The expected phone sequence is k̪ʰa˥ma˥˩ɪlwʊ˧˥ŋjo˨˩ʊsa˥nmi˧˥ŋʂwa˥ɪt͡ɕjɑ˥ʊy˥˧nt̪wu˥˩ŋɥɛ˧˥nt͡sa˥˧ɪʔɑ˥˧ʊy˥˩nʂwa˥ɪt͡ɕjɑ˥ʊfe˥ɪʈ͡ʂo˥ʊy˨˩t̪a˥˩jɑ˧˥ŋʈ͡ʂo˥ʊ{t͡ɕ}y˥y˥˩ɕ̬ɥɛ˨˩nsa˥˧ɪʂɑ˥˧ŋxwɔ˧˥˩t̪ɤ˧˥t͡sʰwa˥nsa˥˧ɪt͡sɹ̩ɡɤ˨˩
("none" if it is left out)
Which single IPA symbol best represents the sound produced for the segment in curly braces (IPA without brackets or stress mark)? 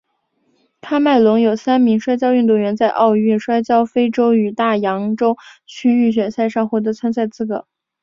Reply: t͡ɕʰ